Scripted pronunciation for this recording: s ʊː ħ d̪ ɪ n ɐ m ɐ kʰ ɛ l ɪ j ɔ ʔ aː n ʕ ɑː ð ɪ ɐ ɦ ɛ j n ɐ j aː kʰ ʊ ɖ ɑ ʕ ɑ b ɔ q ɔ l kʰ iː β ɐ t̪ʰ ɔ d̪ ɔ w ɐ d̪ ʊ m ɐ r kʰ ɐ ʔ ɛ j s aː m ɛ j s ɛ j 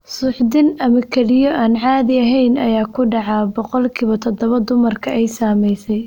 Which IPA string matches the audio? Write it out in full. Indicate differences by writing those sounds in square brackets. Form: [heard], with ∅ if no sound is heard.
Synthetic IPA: s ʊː ħ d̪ ɪ n ɐ m ɐ kʰ ɛ l ɪ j ɔ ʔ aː n ʕ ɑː ð ɪ ɐ ɦ ɛ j n ɐ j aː kʰ ʊ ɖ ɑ ʕ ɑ b ɔ q ɔ l kʰ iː β ɐ t̪ʰ ɔ d̪ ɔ [β] ɐ d̪ ʊ m ɐ r kʰ ɐ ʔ ɛ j s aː m ɛ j s ɛ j